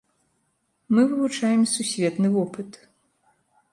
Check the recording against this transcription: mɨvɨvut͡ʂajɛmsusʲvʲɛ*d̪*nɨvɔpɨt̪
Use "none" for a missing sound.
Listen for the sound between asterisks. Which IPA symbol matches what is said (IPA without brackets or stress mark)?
t̪